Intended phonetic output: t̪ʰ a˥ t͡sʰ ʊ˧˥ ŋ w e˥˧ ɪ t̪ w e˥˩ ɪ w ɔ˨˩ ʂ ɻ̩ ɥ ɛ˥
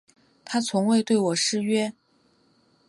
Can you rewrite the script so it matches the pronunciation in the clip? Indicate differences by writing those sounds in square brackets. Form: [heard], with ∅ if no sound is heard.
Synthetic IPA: t̪ʰ a˥ t͡sʰ ʊ˧˥ ŋ w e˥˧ ɪ t̪ w e˥˩ ɪ w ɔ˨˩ ʂ ɻ̩ ɥ ɛ˥